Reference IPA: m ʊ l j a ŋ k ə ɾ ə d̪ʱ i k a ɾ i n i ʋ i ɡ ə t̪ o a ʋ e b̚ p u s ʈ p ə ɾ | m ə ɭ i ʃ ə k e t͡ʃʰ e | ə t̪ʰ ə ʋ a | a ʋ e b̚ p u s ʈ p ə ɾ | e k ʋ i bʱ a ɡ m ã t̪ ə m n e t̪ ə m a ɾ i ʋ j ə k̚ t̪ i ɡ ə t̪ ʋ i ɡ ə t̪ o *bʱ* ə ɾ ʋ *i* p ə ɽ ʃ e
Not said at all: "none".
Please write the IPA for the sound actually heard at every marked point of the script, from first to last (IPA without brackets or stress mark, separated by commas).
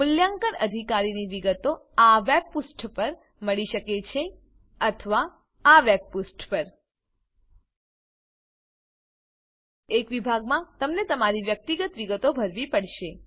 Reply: bʱ, i